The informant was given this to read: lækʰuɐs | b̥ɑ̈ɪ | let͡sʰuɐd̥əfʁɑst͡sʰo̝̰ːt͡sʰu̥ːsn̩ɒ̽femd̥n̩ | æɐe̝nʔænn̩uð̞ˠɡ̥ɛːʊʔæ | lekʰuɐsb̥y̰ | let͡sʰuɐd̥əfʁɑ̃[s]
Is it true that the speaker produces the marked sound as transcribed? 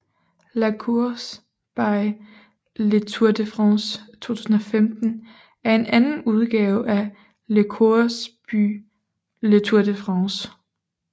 yes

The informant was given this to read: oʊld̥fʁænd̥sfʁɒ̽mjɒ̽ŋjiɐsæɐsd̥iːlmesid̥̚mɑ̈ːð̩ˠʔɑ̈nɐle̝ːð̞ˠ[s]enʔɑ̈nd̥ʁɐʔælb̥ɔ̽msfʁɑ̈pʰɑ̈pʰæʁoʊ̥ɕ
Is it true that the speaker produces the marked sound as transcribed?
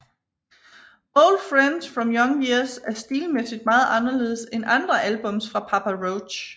yes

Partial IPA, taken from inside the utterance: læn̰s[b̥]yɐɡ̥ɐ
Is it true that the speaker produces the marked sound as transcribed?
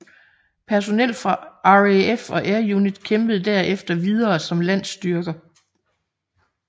no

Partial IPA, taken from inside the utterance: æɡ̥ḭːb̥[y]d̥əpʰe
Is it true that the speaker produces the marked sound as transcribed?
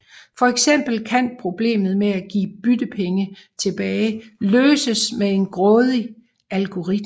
yes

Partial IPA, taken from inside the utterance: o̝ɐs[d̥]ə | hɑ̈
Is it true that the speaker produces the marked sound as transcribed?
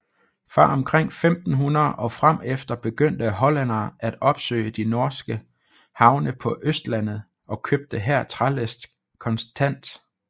no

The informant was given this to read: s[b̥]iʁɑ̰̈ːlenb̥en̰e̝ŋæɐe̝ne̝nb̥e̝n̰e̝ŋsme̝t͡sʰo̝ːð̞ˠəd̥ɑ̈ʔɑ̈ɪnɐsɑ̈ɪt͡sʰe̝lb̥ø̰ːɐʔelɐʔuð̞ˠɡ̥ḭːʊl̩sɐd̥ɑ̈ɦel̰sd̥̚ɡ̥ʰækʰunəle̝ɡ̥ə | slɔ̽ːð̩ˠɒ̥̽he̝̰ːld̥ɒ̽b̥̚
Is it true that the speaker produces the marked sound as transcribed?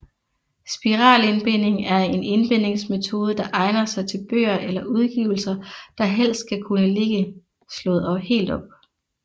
yes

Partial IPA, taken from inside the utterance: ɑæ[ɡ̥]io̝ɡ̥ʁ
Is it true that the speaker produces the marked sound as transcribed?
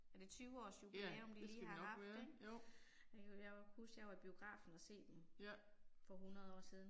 no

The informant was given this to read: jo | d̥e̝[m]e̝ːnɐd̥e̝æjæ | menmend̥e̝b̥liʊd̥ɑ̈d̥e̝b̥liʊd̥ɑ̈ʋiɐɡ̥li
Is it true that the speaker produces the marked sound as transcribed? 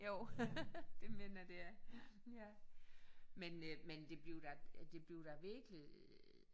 yes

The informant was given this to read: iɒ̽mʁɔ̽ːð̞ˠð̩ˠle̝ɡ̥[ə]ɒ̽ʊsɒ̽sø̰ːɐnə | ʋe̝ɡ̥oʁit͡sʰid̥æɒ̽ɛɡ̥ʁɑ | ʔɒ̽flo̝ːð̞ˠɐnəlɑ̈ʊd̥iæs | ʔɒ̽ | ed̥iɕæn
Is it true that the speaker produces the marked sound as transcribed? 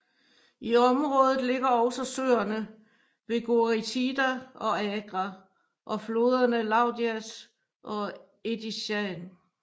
no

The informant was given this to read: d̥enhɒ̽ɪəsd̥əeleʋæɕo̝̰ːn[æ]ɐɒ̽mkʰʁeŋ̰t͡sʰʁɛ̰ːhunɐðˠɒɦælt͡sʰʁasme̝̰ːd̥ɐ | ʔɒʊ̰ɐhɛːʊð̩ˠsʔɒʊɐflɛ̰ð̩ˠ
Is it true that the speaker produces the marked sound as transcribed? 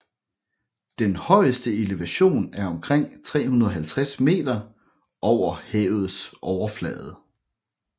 yes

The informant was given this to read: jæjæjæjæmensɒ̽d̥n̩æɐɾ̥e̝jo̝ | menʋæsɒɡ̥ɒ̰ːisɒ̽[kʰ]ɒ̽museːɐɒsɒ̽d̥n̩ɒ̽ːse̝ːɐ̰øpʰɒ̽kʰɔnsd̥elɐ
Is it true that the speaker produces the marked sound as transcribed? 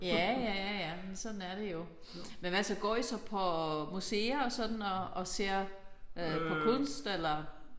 no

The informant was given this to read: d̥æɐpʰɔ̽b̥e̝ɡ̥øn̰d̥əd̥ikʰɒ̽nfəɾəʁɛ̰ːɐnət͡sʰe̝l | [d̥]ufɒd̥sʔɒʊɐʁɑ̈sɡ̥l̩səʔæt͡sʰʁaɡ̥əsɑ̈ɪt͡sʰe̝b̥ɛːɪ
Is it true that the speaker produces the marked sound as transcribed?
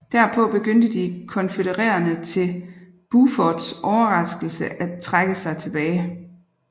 no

